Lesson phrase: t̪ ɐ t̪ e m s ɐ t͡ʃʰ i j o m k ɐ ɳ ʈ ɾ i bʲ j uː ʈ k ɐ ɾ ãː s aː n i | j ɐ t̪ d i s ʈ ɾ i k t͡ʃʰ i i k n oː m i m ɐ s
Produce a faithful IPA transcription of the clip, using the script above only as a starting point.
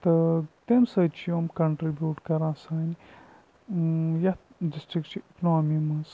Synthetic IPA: t̪ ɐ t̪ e m s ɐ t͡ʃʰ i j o m k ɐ ɳ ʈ ɾ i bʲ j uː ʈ k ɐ ɾ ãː s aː n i | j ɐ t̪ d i s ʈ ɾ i k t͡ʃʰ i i k n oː m i m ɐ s